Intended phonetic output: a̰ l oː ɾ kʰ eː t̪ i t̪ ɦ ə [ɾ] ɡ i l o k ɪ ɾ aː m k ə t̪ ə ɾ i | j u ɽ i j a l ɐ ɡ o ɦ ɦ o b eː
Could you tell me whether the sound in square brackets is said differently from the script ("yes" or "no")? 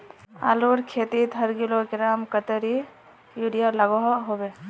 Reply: no